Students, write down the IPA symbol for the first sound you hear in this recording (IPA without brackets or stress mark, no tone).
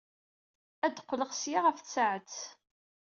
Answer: æ